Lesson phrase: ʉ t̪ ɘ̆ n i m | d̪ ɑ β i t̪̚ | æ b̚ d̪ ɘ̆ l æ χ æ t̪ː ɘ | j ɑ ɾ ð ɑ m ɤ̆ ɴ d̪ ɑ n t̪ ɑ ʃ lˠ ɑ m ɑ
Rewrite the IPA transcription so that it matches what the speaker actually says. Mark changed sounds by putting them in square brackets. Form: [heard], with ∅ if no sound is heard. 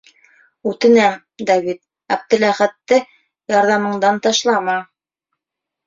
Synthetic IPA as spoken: ʉ t̪ ɘ̆ n [æ] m | d̪ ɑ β i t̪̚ | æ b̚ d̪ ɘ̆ l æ χ æ t̪ː ɘ | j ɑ ɾ ð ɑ m ɤ̆ ɴ d̪ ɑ n t̪ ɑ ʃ lˠ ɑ m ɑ

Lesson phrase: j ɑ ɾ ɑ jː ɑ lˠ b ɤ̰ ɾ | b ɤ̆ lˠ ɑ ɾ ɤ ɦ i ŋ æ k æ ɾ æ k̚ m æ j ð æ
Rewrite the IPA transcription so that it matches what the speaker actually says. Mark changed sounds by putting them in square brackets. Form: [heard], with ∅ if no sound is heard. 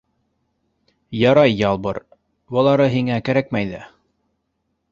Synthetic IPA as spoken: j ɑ ɾ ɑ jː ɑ lˠ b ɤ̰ ɾ | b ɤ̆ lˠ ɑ ɾ ɤ ɦ i ŋ æ k æ ɾ æ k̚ m æ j ð æ

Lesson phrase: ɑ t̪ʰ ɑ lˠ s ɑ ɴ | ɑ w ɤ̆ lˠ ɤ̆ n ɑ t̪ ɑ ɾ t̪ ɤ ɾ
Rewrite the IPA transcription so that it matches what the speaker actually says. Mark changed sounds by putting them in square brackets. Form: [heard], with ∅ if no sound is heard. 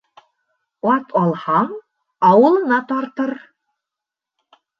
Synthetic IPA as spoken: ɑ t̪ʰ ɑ lˠ [h] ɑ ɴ | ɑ w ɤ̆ lˠ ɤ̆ n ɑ t̪ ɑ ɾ t̪ ɤ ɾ

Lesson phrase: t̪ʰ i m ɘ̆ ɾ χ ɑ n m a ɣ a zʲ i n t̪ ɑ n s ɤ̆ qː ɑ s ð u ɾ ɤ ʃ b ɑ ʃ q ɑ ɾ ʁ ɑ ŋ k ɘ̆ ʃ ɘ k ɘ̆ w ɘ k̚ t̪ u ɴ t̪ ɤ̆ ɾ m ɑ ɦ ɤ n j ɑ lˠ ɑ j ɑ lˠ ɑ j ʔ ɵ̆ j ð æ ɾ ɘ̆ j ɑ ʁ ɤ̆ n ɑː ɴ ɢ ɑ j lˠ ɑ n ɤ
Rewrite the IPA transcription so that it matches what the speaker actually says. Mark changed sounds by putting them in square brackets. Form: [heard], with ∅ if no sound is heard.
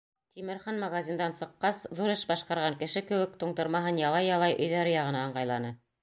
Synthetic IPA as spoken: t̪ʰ i m ɘ̆ ɾ χ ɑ n m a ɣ a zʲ i n [d̪] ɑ n s ɤ̆ qː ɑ s ð u ɾ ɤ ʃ b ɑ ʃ q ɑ ɾ ʁ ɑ ŋ k ɘ̆ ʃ ɘ k ɘ̆ w ɘ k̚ t̪ u ɴ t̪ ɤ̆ ɾ m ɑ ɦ ɤ n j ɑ lˠ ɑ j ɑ lˠ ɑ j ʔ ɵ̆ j ð æ ɾ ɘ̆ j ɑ ʁ ɤ̆ n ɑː ɴ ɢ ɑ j lˠ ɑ n ɤ

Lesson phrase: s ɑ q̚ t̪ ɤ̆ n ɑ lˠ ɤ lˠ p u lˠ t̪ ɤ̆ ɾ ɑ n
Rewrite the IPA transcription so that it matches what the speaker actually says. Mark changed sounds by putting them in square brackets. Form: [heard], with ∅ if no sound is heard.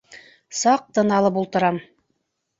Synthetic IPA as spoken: s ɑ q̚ t̪ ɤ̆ n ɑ lˠ ɤ [∅] p u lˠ t̪ ɤ̆ ɾ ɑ [m]

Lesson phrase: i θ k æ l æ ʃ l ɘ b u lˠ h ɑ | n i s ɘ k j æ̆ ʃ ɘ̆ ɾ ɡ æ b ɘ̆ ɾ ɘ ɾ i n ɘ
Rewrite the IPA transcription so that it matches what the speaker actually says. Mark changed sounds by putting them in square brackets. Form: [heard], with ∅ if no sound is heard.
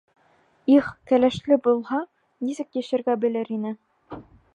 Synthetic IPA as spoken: i [χ] k æ l æ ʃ l ɘ b u lˠ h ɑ | n i s ɘ k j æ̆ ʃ ɘ̆ ɾ ɡ æ b ɘ̆ [l] ɘ ɾ i n ɘ

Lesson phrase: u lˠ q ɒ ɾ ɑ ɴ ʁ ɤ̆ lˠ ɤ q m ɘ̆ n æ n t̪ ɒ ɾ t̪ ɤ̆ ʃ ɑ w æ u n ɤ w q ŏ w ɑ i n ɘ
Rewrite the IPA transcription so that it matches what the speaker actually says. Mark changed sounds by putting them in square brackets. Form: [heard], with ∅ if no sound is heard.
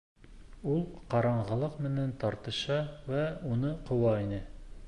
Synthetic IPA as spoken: u lˠ q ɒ ɾ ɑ ɴ ʁ ɤ̆ lˠ ɤ q m ɘ̆ n æ n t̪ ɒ ɾ t̪ ɤ̆ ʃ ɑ w æ u n ɤ [∅] q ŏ w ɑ i n ɘ

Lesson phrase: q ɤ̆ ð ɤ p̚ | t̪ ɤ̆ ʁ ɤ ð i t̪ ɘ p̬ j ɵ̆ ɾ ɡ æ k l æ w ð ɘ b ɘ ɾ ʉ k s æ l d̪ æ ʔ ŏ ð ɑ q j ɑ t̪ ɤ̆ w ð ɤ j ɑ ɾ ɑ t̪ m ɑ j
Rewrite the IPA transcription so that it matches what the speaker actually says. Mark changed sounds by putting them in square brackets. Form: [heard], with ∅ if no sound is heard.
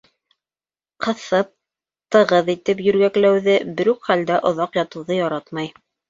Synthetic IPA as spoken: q ɤ̆ [θ] ɤ p̚ | t̪ ɤ̆ ʁ ɤ ð i t̪ ɘ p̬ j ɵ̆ ɾ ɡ æ k l æ w ð ɘ b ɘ ɾ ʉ k [χ] æ l d̪ æ ʔ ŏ ð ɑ q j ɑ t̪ ɤ̆ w ð ɤ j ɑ ɾ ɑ t̪ m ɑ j

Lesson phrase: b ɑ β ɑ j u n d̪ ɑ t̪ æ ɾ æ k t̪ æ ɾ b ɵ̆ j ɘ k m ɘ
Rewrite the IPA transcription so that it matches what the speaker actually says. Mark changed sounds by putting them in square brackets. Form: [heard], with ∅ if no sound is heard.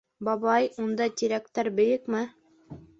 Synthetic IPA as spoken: b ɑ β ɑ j u n d̪ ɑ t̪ [i] ɾ æ k t̪ æ ɾ b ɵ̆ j ɘ k m ɘ

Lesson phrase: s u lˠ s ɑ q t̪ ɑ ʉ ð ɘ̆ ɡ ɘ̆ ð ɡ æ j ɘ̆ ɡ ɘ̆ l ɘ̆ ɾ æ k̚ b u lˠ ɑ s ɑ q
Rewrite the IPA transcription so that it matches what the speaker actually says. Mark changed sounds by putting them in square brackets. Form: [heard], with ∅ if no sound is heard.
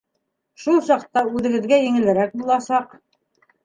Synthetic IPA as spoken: [ʃ] u lˠ s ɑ q t̪ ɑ ʉ ð ɘ̆ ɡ ɘ̆ ð ɡ æ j ɘ̆ [ŋ] ɘ̆ l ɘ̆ ɾ æ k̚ b u lˠ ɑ s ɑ q

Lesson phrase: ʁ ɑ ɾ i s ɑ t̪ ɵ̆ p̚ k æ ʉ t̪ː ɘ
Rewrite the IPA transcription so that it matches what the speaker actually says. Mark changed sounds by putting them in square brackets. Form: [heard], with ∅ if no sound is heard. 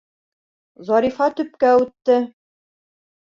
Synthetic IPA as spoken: [z] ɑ ɾ i [f] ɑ t̪ ɵ̆ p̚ k æ ʉ t̪ː ɘ

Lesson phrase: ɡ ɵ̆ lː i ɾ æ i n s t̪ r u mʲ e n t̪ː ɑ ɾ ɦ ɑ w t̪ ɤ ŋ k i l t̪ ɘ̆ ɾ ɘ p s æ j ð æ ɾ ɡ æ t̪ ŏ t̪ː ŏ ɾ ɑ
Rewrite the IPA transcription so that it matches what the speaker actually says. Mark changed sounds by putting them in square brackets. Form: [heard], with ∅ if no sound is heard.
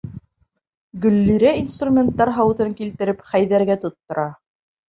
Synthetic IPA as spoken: ɡ ɵ̆ lː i ɾ æ i n s t̪ r u mʲ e n t̪ː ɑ ɾ ɦ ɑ w t̪ ɤ ŋ k i l t̪ ɘ̆ ɾ ɘ p [χ] æ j ð æ ɾ ɡ æ t̪ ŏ t̪ː ŏ ɾ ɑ

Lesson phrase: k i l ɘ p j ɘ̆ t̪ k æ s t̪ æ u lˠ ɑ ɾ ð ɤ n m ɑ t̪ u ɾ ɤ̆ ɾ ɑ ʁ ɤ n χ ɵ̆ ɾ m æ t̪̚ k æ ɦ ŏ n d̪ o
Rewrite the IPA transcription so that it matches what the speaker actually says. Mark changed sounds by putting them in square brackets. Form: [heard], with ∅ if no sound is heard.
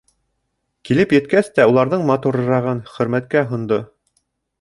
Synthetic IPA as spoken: k i l ɘ p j ɘ̆ t̪ k æ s t̪ æ u lˠ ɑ ɾ ð ɤ [ɴ] m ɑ t̪ u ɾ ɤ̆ ɾ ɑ ʁ ɤ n χ ɵ̆ ɾ m æ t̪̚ k æ ɦ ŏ n d̪ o

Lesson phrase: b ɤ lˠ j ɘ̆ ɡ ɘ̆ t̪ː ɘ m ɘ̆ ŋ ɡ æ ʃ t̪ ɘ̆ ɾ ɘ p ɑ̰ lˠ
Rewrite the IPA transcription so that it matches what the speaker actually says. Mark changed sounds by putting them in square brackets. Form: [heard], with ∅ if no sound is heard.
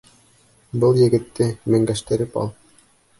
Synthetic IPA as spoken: b ɤ lˠ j ɘ̆ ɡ ɘ̆ t̪ː ɘ m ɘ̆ ŋ ɡ æ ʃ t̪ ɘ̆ ɾ ɘ p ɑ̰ lˠ

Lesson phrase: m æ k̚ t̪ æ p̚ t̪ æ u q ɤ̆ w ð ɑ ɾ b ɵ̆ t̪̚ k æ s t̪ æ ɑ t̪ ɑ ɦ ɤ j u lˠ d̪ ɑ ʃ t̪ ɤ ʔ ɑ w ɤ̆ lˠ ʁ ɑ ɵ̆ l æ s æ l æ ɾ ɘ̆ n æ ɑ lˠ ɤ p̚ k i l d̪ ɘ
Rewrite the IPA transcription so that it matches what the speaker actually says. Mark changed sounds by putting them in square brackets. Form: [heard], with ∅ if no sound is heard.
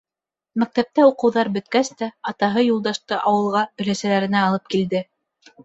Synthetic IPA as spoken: m æ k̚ t̪ æ p̚ t̪ æ u q ɤ̆ w ð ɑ ɾ b ɵ̆ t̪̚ k æ s t̪ æ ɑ t̪ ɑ ɦ ɤ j u lˠ d̪ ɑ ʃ t̪ ɤ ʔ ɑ w ɤ̆ lˠ ʁ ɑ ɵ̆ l æ s æ l æ ɾ ɘ̆ n æ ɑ lˠ ɤ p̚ k i l d̪ ɘ

